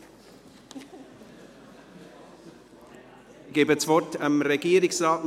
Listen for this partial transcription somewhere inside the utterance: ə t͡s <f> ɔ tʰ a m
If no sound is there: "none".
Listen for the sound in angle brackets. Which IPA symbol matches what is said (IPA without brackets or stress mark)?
v